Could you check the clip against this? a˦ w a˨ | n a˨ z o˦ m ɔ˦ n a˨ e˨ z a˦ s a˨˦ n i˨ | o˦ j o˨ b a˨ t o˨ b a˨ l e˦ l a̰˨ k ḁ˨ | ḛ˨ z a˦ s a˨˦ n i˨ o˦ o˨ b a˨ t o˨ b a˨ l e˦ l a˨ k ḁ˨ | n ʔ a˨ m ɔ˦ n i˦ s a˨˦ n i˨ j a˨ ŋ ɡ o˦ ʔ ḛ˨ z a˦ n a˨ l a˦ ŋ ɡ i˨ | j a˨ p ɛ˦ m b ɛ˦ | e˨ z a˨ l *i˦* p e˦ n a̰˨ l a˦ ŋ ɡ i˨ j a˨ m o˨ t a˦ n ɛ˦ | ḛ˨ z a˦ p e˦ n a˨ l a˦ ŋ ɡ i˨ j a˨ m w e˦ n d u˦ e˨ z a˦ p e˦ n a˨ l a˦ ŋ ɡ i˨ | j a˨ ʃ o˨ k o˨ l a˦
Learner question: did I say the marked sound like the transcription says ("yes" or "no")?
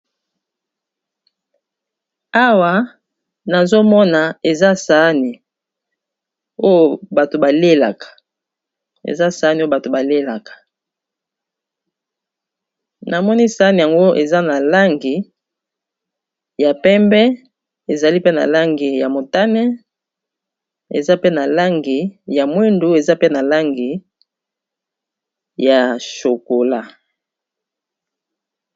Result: yes